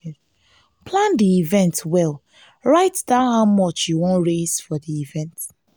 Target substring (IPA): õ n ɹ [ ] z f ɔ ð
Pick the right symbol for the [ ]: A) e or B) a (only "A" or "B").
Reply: A